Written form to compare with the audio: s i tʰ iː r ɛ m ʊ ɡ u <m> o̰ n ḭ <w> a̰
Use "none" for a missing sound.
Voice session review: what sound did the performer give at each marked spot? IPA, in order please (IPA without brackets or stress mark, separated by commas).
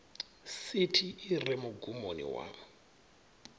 m, w